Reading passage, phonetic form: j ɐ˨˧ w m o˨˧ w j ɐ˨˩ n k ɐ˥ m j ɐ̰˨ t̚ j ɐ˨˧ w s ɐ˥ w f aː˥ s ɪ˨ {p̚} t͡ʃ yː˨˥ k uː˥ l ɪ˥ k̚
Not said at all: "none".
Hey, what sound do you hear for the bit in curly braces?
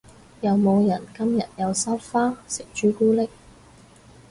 k̚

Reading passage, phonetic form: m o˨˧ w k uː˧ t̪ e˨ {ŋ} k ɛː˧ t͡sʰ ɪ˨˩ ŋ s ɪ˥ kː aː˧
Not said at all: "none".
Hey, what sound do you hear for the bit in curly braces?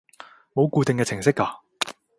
ŋ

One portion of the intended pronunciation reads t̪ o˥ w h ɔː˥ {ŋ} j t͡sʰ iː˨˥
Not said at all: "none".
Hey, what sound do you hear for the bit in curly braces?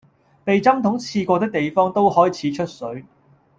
none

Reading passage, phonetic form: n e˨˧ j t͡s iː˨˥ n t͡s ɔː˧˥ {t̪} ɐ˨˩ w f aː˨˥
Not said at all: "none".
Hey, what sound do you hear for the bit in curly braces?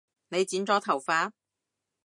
t̪ʰ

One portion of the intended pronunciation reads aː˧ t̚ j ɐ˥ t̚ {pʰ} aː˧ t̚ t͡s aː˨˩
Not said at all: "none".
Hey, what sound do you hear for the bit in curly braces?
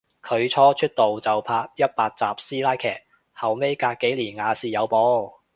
p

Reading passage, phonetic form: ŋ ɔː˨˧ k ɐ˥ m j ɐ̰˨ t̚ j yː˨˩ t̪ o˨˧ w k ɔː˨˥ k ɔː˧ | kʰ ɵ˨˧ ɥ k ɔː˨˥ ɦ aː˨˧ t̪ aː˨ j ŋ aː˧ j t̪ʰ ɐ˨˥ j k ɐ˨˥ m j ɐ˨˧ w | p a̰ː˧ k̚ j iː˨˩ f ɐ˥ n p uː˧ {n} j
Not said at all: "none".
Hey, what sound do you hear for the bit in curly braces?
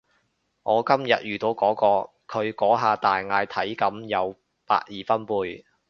none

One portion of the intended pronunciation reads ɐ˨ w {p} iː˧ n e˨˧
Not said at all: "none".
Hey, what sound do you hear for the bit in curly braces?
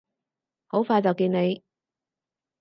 k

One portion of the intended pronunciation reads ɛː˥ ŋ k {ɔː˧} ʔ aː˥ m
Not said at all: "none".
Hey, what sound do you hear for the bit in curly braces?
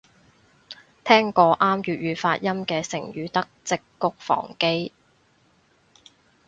ɔː˧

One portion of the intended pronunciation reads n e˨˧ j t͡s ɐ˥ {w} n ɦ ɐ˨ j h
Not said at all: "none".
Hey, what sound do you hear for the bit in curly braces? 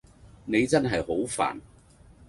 none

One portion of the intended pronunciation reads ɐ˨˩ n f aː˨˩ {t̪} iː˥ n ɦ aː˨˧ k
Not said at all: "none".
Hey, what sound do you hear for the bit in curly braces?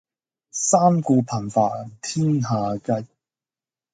t̪ʰ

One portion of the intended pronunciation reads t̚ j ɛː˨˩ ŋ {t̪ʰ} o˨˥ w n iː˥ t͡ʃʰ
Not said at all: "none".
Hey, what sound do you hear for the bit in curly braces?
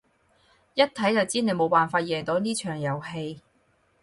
t̪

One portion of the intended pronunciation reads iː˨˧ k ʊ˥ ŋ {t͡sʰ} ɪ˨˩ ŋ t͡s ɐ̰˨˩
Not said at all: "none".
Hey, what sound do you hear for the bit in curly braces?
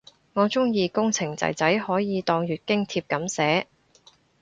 t͡sʰ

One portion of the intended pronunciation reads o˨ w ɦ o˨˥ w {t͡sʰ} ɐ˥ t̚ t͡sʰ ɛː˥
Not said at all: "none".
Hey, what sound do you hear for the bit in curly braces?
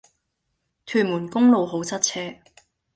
t͡sʰ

